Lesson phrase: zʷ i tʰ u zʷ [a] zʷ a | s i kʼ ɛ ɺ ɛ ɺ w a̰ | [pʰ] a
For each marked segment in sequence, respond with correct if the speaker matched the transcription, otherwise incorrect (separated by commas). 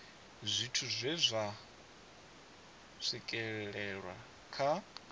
incorrect, incorrect